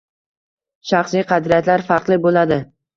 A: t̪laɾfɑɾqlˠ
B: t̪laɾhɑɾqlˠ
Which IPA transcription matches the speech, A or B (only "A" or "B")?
A